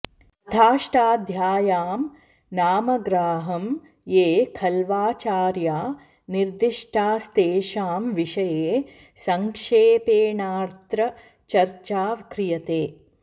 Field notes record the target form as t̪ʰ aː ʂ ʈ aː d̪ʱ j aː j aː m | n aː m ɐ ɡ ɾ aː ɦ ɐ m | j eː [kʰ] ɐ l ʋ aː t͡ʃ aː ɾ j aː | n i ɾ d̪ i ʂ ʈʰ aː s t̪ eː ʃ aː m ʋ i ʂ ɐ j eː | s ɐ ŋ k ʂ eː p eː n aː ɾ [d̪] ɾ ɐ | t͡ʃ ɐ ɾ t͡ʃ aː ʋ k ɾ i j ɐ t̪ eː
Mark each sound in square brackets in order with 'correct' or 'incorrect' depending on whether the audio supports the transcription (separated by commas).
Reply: correct, incorrect